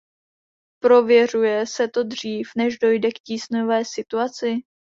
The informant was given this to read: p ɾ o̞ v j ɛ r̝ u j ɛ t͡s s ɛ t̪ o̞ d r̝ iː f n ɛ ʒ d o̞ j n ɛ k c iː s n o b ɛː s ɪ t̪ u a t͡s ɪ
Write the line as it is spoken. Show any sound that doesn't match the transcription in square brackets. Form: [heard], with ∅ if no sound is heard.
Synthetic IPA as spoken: p ɾ o̞ v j ɛ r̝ u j ɛ [∅] s ɛ t̪ o̞ d r̝ iː f n ɛ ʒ d o̞ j [d] ɛ k c iː s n o [v] ɛː s ɪ t̪ u a t͡s ɪ